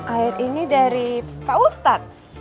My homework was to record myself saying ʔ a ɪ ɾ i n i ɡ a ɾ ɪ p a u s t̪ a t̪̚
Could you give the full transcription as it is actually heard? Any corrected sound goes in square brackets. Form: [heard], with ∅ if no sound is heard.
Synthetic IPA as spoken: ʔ a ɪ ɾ i n i [d] a ɾ [i] p a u s t̪ a t̪̚